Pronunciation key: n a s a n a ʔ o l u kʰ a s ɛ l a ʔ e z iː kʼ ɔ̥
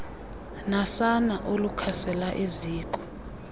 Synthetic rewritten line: n a s a n a ʔ o l u kʰ a s ɛ l a ʔ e z iː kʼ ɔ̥